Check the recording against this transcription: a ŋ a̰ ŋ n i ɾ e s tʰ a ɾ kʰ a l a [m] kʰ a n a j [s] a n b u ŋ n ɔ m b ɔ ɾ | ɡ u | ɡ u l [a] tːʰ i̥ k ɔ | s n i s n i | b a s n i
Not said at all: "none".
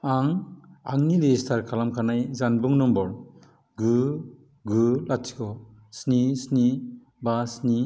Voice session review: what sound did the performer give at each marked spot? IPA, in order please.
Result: m, z, a

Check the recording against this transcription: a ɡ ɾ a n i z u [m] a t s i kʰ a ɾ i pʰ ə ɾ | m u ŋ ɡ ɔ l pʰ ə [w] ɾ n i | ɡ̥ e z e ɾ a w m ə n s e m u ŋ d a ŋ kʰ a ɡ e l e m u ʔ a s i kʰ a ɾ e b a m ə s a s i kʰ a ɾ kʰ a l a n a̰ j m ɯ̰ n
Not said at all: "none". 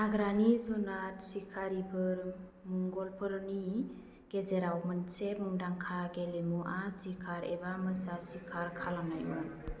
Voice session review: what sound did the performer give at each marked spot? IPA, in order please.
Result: n, none

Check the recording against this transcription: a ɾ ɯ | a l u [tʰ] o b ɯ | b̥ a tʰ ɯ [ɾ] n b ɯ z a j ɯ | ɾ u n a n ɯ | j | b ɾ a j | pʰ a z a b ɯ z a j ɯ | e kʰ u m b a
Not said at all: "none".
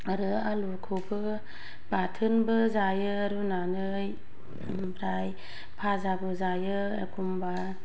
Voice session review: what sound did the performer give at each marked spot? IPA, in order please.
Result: kʰ, none

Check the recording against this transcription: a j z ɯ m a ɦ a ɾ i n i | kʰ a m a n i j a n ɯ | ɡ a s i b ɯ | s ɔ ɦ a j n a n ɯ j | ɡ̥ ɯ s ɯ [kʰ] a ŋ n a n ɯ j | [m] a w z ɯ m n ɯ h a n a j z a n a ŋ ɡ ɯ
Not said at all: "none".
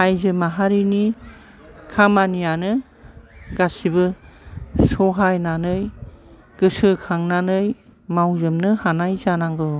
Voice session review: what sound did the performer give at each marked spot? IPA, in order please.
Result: kʰ, m

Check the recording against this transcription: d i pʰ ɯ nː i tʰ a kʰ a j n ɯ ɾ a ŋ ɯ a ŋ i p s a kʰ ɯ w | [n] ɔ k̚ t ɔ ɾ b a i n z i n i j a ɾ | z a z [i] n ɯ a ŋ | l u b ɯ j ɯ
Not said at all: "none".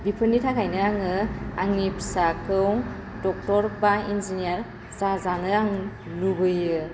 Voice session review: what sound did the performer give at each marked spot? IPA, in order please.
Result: d, a

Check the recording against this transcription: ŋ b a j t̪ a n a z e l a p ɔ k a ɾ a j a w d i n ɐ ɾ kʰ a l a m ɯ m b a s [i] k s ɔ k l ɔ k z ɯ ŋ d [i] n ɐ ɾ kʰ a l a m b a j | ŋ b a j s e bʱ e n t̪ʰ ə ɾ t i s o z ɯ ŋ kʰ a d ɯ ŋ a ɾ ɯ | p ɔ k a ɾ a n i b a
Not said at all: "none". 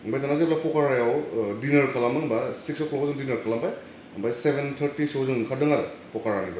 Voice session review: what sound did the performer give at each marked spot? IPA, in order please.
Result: i, i

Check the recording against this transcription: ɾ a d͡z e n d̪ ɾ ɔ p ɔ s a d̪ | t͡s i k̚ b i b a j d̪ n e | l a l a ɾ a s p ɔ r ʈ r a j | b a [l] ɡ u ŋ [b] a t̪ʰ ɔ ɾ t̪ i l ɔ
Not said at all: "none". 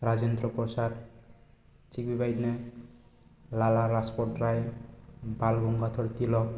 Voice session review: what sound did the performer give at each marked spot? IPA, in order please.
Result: l, ɡ

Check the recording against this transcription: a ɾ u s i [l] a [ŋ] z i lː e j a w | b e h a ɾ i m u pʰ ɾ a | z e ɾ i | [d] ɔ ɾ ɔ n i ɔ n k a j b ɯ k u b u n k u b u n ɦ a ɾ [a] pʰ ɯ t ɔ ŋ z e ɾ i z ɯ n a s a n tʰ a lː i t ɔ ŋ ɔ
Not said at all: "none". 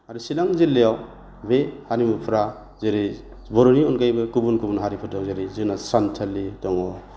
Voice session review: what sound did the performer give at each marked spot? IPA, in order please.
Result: l, ŋ, b, i

